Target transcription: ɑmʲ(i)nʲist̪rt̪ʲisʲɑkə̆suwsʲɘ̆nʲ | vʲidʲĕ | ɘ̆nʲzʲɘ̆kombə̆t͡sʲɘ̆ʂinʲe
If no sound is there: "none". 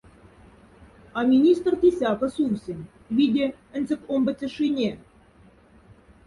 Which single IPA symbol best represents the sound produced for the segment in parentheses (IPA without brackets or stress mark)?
i